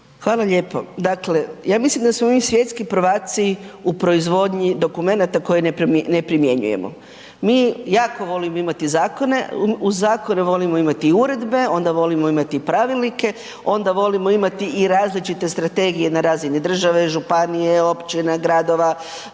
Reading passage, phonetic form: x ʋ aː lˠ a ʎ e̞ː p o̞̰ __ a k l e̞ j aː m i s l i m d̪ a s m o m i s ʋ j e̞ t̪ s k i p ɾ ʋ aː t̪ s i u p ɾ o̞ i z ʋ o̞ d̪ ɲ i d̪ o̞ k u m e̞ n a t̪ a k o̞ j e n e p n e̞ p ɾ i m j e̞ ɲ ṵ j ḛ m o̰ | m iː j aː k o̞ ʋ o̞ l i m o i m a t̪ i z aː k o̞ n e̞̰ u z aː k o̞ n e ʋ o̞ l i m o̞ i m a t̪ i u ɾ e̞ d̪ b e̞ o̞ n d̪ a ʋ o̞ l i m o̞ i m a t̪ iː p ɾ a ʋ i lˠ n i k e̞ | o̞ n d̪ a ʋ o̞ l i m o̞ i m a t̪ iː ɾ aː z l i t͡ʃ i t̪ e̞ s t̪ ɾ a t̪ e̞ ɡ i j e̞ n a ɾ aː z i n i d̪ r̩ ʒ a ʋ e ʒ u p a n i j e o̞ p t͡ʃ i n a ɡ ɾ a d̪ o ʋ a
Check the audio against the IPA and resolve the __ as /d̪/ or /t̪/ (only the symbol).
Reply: d̪